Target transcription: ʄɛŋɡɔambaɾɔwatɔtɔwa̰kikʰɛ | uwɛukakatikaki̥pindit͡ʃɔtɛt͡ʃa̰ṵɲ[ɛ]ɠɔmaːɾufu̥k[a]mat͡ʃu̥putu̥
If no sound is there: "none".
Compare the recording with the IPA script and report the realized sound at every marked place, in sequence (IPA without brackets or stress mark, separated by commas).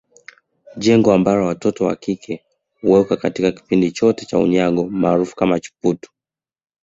a, a